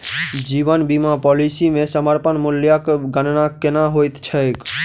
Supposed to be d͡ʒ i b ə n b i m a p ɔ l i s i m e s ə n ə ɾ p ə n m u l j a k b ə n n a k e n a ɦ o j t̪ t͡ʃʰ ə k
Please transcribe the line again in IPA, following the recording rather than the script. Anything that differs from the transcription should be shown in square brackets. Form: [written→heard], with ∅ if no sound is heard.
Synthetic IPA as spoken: d͡ʒ i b ə n b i m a p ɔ l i s i m e s ə [n→m] ə ɾ p ə n m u l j a k [b→ɡ] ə n n a k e n a ɦ o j t̪ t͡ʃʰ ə k